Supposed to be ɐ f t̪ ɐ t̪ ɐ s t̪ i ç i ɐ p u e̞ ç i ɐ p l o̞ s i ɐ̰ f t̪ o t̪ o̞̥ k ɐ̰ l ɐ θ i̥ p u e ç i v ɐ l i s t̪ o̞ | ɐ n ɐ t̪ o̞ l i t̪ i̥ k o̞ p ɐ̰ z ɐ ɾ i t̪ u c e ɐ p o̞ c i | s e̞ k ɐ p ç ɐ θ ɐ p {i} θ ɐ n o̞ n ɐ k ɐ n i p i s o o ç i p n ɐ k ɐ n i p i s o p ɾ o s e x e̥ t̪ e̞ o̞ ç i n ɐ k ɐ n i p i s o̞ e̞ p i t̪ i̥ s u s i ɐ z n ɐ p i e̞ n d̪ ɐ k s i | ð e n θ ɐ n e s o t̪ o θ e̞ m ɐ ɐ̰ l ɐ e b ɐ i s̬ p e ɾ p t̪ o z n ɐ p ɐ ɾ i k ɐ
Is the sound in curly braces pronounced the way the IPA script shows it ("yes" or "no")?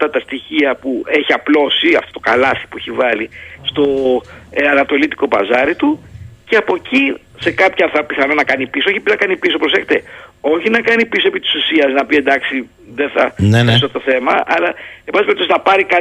yes